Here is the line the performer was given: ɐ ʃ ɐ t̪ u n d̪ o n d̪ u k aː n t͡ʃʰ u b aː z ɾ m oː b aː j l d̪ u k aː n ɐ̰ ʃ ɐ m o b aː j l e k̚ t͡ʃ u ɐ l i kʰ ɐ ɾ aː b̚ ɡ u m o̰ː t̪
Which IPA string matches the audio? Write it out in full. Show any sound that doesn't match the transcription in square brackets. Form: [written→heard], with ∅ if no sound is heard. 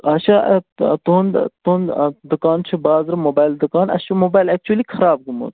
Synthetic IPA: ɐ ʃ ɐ t̪ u n [d̪→t̪] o n d̪ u k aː n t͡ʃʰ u b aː z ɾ m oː b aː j l d̪ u k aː n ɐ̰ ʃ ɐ m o b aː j l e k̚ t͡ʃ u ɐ l i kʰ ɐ ɾ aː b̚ ɡ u m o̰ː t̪